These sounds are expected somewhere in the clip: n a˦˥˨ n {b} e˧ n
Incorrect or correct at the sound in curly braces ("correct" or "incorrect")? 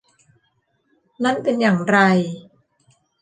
incorrect